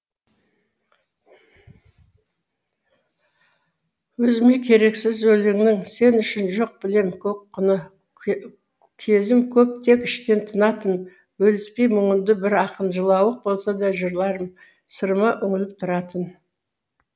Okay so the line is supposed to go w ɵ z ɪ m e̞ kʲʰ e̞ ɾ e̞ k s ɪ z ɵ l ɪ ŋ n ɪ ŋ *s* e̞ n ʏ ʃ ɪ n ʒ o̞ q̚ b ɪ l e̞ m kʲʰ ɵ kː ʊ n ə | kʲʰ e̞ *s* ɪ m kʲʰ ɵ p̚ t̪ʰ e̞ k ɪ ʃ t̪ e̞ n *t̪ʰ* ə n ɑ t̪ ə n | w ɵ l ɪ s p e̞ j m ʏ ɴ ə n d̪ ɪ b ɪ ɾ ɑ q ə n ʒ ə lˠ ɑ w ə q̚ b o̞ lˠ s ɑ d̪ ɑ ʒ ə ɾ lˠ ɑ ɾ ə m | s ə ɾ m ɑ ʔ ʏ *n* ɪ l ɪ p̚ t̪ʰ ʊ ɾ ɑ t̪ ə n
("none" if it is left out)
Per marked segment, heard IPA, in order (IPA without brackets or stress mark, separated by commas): s, z, t̪ʰ, ŋ